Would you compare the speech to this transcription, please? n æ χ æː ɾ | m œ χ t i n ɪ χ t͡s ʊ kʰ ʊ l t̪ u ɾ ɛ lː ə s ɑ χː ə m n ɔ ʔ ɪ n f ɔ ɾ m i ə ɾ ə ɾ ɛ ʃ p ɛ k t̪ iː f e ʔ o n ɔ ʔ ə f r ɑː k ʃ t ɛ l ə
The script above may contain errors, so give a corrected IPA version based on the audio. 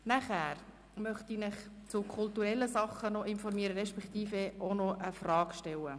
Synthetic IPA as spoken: n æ χ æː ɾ | m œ χ t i n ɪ χ t͡s ʊ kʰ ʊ l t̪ u ɾ ɛ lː ə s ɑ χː ə n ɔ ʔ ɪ n f ɔ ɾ m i ə ɾ ə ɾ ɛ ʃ p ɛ k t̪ iː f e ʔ o n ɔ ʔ ə f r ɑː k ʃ t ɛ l ə